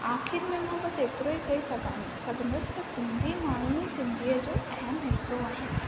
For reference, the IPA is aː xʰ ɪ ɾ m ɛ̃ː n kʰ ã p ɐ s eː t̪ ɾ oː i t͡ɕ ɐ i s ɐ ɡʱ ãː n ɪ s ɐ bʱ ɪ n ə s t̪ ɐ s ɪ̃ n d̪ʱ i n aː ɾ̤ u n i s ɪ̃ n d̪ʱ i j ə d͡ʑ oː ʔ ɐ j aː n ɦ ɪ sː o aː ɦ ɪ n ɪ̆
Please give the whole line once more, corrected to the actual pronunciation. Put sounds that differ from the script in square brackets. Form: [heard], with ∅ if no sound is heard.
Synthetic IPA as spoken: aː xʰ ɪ ɾ m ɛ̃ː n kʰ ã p ɐ s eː t̪ ɾ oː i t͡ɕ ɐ i s ɐ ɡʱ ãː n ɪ s ɐ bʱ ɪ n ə s t̪ ɐ s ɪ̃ n d̪ʱ i [m] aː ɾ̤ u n i s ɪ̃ n d̪ʱ i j ə d͡ʑ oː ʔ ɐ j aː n ɦ ɪ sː o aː ɦ ɪ n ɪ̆